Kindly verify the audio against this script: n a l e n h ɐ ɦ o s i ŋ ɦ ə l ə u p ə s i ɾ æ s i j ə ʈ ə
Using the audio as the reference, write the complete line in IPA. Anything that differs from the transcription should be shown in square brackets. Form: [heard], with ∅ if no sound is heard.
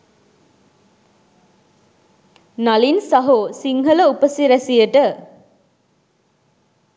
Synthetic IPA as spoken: n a l [i] n [s] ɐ ɦ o s i ŋ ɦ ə l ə u p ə s i ɾ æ s i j ə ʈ ə